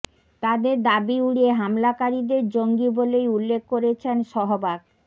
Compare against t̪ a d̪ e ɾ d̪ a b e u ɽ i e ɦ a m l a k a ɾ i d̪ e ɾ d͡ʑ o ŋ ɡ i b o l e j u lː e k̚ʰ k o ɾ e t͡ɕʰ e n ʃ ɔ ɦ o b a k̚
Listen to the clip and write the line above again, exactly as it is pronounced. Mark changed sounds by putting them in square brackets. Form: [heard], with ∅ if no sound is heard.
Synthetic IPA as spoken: t̪ a d̪ e ɾ d̪ a b [i] u ɽ i e ɦ a m l a k a ɾ i d̪ e ɾ d͡ʑ o ŋ ɡ i b o l e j u lː e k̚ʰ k o ɾ e t͡ɕʰ e n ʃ ɔ ɦ o b a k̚